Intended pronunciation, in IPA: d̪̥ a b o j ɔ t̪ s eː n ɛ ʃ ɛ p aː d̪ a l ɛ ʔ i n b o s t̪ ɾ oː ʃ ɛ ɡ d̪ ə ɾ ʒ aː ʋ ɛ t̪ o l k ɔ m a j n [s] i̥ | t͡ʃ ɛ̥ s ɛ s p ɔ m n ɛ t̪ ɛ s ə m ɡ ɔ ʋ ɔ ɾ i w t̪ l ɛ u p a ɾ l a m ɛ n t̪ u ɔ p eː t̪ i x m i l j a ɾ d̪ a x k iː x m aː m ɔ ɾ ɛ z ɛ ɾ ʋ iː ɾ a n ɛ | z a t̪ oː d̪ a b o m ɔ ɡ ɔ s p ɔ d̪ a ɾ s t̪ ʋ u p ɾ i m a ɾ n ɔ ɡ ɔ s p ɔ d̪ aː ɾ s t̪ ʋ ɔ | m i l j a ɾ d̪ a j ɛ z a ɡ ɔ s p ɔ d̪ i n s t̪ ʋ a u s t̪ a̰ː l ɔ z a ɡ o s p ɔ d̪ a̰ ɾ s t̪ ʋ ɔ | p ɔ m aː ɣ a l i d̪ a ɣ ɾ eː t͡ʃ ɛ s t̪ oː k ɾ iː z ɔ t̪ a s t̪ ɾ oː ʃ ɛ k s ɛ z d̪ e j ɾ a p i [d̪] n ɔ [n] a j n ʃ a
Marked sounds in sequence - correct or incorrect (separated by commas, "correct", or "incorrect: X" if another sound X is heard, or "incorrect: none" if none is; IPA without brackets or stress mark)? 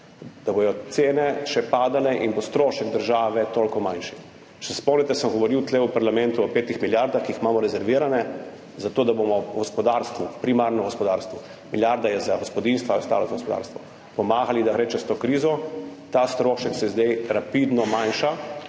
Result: incorrect: ʃ, correct, incorrect: m